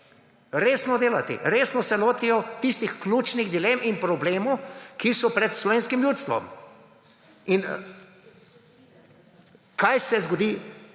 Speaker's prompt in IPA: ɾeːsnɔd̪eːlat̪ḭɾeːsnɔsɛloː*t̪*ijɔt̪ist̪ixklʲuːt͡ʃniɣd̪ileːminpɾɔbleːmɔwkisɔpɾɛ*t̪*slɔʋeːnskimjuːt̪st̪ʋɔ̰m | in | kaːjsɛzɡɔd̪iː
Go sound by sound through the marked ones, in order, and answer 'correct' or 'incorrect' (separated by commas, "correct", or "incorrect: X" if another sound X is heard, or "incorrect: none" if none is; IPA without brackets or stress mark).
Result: correct, correct